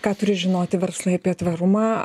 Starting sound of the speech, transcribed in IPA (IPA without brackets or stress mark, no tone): k